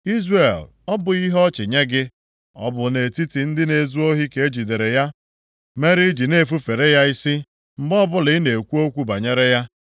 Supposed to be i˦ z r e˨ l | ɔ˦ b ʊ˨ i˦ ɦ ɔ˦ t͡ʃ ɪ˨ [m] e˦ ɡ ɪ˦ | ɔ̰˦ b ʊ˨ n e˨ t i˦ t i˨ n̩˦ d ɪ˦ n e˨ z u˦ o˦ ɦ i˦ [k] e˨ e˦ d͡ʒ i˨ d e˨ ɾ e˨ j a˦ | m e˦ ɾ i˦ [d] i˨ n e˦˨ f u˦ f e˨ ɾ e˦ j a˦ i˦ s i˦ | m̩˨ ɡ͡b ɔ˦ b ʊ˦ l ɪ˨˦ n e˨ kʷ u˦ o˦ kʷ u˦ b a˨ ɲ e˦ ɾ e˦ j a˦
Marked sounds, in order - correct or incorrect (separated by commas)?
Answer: incorrect, correct, incorrect